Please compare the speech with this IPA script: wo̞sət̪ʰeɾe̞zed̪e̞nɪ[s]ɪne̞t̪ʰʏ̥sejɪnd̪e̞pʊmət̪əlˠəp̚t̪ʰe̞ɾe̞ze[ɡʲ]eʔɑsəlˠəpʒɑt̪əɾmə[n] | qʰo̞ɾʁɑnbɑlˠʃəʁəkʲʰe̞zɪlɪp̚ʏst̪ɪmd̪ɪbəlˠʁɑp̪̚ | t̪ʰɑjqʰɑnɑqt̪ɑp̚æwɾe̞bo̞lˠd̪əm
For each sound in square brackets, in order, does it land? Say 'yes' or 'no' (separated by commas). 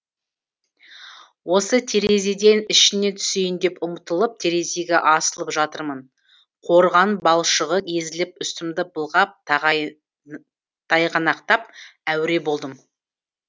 no, yes, yes